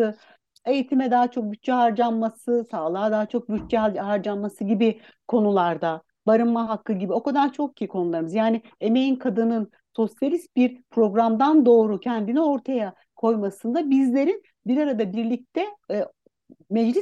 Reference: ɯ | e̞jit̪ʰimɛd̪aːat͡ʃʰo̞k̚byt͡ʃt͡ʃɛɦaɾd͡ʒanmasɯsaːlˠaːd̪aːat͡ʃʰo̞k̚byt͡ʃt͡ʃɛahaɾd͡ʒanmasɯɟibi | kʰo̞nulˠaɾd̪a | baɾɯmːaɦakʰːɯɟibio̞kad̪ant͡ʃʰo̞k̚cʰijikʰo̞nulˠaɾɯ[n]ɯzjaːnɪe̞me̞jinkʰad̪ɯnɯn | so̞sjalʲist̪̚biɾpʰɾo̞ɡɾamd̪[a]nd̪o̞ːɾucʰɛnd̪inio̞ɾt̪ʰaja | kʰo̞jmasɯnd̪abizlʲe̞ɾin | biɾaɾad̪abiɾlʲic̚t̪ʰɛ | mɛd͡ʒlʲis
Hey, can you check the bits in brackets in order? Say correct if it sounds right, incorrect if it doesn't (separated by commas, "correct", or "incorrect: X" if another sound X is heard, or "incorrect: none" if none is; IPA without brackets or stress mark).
incorrect: m, correct